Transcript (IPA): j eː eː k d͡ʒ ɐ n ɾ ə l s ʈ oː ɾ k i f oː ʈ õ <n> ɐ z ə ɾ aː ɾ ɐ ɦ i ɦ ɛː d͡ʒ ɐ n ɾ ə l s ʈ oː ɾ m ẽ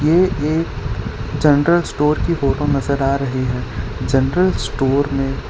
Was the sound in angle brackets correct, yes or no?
yes